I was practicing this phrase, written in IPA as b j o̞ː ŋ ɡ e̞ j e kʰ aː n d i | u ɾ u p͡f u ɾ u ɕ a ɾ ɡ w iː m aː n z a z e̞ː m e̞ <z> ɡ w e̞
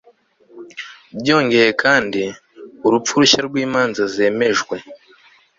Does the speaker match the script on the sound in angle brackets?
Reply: no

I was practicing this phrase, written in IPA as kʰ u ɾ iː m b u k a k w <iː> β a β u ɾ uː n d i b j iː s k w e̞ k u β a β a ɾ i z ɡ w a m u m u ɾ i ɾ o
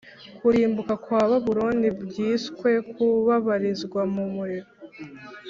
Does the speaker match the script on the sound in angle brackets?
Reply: no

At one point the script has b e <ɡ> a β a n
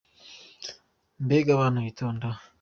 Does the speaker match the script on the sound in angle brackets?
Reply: yes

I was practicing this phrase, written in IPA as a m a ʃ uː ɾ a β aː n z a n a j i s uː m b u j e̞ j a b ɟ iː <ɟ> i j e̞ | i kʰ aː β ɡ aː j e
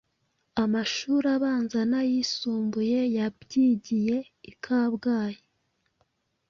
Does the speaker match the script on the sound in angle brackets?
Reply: yes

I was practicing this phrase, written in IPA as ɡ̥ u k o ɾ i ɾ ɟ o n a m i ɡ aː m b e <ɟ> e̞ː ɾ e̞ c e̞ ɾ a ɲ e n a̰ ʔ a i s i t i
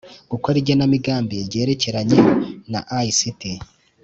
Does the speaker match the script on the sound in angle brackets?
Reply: yes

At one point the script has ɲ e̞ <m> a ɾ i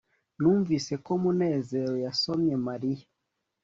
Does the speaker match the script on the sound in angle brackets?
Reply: yes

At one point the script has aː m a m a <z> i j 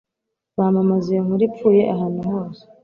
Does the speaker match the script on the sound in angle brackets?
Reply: yes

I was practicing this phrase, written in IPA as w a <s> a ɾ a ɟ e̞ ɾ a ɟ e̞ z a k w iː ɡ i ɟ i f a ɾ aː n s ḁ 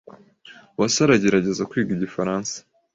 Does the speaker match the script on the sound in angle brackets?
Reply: yes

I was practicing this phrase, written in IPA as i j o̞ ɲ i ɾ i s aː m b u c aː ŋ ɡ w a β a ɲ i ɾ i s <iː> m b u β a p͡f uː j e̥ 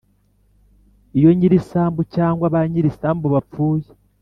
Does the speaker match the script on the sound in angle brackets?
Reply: no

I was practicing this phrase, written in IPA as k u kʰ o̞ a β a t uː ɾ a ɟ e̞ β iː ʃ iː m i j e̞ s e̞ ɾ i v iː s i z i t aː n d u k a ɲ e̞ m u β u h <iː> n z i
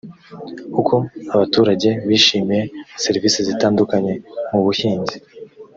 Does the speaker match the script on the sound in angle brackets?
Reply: yes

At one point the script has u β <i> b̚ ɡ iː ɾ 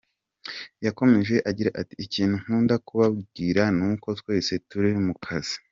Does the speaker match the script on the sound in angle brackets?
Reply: no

